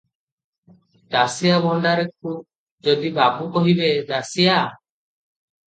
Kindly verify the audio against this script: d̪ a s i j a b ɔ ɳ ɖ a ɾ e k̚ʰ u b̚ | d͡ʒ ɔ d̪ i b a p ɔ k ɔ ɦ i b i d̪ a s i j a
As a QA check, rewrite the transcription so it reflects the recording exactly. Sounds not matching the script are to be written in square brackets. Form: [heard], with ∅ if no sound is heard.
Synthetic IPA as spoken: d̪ a s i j a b ɔ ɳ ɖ a ɾ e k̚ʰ u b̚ | d͡ʒ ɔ d̪ i b a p [u] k ɔ ɦ i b [e] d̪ a s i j a